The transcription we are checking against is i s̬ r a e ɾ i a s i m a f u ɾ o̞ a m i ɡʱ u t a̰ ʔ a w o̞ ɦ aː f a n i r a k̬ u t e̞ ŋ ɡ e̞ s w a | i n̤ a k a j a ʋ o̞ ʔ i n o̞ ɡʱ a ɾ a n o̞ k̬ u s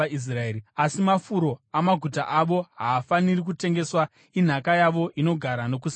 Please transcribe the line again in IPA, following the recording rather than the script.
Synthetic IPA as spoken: i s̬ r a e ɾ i a s i m a f u ɾ o̞ a m a ɡʱ u t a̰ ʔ a ʋ o̞ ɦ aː f a n i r i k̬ u t e̞ ŋ ɡ e̞ s w a | i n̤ a k a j a ʋ o̞ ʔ i n o̞ ɡʱ a ɾ a n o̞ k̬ u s